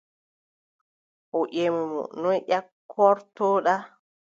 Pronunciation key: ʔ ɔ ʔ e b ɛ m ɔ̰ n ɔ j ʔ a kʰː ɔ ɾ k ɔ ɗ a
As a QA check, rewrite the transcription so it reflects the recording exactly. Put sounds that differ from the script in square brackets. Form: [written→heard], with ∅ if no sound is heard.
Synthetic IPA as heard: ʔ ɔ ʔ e [b→m] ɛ m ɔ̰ n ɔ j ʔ a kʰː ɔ ɾ [k→t] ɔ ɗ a

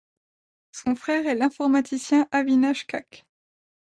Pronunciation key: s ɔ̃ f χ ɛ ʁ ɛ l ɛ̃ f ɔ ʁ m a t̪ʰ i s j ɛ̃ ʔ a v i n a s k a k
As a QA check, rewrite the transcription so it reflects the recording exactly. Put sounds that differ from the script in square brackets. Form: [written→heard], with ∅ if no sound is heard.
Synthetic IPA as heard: s ɔ̃ f χ ɛ ʁ ɛ l ɛ̃ f ɔ ʁ m a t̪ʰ i s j ɛ̃ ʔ a v i n a [s→ʃ] k a k

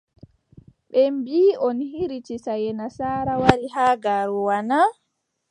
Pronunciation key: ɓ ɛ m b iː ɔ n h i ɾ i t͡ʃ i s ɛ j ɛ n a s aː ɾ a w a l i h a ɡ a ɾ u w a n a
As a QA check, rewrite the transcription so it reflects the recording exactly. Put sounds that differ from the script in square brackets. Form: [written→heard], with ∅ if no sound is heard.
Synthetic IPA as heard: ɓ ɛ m b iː ɔ n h i ɾ i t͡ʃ i s [ɛ→a] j ɛ n a s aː ɾ a w a l i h a ɡ a ɾ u w a n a

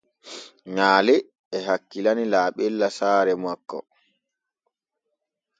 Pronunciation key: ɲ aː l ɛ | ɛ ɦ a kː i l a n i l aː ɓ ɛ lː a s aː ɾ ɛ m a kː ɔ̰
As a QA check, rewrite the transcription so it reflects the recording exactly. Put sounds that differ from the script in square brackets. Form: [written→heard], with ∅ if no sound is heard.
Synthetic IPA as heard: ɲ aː l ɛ | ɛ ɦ a kː i l a n i l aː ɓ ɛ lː a s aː ɾ ɛ m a kː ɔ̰

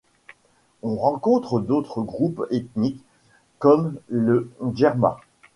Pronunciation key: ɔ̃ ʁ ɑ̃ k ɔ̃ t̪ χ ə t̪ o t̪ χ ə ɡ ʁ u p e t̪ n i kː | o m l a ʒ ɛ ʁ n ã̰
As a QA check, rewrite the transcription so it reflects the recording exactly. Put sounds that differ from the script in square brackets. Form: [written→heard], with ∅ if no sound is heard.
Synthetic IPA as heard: ɔ̃ ʁ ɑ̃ k ɔ̃ t̪ χ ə [t̪→d̪] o t̪ χ ə ɡ ʁ u p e t̪ n i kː | [o→ɔ] m l [a→ə] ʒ ɛ ʁ [n→m] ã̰

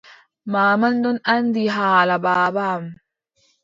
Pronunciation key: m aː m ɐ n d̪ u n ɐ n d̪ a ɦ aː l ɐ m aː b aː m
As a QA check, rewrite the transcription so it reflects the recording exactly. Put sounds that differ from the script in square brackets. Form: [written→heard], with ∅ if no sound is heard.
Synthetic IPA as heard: m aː m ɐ n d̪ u n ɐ n d̪ [a→i] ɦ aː l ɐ [m→b] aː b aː m

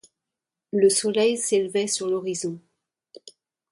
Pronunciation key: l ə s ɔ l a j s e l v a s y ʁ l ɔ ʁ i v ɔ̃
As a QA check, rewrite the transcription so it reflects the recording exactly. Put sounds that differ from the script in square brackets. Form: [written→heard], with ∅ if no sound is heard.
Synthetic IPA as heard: l ə s ɔ l [a→ɛ] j s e l v [a→ɛ] s y ʁ l ɔ ʁ i [v→z] ɔ̃

